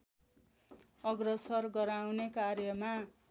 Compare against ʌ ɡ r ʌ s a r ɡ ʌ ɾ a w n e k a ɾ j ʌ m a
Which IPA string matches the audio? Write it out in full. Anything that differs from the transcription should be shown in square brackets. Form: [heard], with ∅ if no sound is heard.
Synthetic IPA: ʌ ɡ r ʌ s [ʌ] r ɡ ʌ ɾ a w n e k a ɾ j ʌ m a